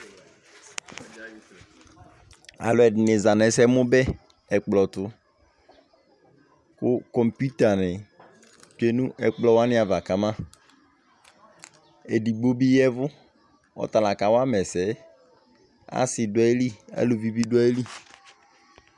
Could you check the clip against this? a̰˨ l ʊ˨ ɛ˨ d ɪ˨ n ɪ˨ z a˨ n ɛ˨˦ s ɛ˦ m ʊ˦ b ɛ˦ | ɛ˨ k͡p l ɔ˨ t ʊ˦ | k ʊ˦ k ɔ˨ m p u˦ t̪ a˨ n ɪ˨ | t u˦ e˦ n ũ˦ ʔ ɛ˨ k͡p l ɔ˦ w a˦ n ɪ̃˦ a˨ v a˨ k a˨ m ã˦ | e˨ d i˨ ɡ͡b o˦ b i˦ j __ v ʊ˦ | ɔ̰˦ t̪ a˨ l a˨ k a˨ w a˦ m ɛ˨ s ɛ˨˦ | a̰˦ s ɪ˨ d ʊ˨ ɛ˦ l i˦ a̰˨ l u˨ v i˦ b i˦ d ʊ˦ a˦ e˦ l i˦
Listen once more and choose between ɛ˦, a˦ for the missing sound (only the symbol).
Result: ɛ˦